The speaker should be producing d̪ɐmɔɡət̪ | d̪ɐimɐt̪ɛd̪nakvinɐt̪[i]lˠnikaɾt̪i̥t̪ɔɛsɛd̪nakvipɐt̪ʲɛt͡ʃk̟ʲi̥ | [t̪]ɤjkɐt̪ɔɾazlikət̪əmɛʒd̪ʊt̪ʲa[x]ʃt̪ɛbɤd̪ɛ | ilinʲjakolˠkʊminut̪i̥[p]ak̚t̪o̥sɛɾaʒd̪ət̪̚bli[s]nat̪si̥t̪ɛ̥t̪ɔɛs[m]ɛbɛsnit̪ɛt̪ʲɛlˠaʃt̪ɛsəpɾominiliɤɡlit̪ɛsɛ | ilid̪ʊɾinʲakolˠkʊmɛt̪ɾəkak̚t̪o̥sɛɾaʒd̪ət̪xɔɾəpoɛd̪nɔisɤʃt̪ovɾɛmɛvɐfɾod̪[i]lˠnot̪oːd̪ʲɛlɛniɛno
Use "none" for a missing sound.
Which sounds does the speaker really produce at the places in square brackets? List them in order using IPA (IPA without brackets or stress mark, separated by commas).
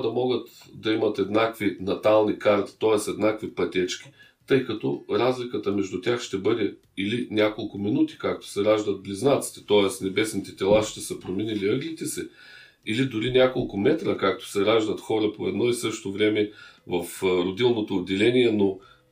a, t̪, x, k, z, n, i